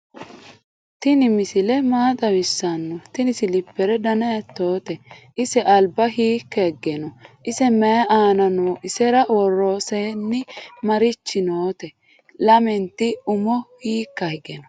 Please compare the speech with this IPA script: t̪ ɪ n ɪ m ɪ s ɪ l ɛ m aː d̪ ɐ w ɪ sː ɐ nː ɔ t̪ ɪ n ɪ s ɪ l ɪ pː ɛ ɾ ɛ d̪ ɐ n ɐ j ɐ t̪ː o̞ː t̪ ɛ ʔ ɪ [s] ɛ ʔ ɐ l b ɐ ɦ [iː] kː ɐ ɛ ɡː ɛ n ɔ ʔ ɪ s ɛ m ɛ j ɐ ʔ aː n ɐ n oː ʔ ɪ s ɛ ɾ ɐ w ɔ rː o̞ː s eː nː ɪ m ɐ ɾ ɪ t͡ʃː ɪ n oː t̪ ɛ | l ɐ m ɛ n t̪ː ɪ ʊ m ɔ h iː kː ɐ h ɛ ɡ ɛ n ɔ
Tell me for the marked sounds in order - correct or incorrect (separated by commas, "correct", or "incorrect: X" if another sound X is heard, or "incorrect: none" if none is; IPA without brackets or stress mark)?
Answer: correct, correct